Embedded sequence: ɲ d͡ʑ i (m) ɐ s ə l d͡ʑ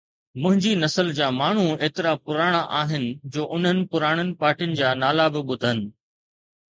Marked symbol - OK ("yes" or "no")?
no